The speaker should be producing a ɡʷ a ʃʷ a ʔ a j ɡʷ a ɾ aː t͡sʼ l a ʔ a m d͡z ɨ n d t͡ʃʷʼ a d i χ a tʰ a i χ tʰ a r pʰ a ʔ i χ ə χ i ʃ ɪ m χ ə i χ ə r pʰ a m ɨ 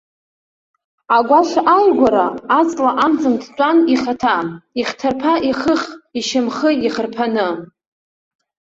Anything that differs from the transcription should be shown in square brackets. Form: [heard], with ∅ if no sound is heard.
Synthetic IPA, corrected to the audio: a ɡʷ a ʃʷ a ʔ a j ɡʷ a ɾ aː t͡sʼ l a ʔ a m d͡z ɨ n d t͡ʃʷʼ a [n] i χ a tʰ a i χ tʰ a r pʰ a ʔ i χ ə χ i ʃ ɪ m χ ə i χ ə r pʰ a [n] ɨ